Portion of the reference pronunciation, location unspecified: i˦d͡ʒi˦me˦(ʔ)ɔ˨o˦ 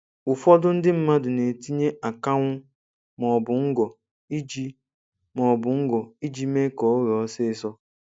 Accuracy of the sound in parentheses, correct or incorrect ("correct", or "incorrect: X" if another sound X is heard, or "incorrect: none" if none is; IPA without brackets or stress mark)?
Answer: incorrect: k